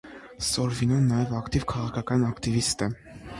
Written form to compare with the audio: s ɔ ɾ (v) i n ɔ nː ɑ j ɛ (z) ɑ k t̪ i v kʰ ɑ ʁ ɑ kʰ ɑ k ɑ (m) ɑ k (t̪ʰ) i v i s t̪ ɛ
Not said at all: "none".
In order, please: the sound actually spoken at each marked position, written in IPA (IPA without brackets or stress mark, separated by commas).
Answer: v, v, n, t̪